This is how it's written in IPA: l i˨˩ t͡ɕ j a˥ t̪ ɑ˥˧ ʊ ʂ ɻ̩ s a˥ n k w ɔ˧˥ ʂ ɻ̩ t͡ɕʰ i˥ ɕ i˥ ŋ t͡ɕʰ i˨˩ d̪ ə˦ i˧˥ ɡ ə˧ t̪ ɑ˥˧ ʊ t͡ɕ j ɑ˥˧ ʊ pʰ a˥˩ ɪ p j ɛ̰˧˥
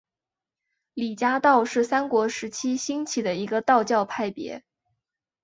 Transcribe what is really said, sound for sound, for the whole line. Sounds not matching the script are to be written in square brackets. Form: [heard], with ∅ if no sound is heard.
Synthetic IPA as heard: l i˨˩ t͡ɕ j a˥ t̪ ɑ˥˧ ʊ ʂ ɻ̩ s a˥ n k w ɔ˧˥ ʂ ɻ̩ t͡ɕʰ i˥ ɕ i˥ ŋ t͡ɕʰ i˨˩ d̪ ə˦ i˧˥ ɡ ə˧ t̪ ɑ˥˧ ʊ t͡ɕ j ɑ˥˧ ʊ pʰ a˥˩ ɪ p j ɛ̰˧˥